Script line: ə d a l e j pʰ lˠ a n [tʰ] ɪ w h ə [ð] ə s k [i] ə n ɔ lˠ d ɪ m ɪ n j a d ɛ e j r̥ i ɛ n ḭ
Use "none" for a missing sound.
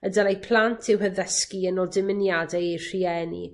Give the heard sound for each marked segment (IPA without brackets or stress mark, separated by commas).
tʰ, ð, i